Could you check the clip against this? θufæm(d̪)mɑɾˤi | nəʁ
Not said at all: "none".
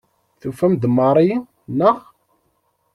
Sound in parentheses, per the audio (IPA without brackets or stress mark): d̪